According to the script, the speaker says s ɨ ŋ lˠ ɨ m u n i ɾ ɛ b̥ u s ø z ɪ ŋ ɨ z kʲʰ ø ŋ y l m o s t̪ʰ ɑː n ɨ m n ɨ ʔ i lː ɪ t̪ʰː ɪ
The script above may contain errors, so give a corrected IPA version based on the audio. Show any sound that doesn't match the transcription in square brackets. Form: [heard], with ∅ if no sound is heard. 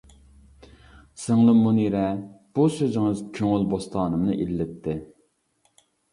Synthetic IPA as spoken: s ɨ ŋ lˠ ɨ m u n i ɾ ɛ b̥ u s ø z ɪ ŋ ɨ z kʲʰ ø ŋ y l [b] o s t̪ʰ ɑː n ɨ m n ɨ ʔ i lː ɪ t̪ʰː ɪ